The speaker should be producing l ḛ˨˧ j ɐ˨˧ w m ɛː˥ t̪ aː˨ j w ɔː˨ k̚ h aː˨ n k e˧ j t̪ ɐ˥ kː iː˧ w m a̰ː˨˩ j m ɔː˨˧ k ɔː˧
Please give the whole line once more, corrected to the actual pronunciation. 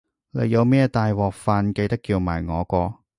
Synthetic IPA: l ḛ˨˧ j ɐ˨˧ w m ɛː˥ t̪ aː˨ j w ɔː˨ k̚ f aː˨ n k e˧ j t̪ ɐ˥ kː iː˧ w m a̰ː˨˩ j ŋ ɔː˨˧ k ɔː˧